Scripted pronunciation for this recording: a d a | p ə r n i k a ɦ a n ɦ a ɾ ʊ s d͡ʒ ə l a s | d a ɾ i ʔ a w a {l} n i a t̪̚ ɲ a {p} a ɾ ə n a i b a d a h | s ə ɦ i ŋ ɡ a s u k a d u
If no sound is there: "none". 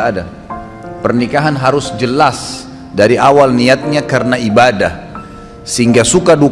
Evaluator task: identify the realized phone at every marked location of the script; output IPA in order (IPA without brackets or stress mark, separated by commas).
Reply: l, k